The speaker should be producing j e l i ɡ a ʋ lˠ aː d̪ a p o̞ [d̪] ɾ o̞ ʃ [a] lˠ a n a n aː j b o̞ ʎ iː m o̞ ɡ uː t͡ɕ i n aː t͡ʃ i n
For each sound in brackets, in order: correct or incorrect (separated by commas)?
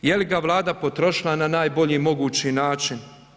incorrect, incorrect